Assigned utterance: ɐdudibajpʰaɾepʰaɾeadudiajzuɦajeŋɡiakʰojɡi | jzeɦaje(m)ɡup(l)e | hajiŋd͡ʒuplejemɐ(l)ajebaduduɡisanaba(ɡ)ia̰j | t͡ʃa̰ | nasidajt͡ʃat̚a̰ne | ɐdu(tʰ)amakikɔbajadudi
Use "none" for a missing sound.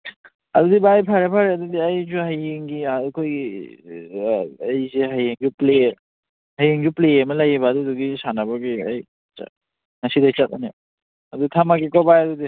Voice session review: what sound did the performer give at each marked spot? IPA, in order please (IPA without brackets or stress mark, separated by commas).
ŋ, l, l, ɡ, tʰ